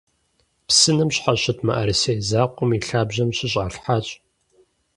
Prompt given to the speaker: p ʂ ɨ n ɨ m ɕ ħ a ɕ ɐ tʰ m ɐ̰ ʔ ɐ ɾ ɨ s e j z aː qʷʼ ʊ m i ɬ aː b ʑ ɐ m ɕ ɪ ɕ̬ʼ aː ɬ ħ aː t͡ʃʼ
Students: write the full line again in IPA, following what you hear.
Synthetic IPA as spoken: p s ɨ n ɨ m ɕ ħ a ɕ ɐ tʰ m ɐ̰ ʔ ɐ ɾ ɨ s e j z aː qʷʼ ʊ m i ɬ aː b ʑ ɐ m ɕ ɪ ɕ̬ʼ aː ɬ ħ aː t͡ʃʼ